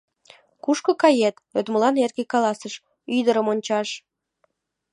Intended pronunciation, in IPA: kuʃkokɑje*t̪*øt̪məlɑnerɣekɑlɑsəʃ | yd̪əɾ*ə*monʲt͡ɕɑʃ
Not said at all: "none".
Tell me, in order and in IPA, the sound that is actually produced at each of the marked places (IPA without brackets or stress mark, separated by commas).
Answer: t̪, ə